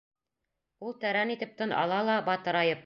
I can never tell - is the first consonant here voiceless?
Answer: no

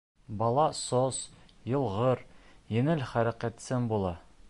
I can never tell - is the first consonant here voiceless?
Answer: no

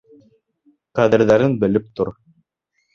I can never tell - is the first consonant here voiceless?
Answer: yes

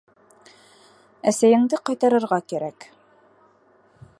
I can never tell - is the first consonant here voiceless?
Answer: yes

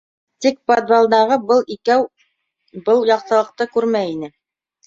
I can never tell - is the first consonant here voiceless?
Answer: yes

